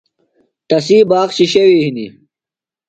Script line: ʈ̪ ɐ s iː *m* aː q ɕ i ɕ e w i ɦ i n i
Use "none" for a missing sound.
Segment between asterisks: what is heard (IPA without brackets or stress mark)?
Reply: b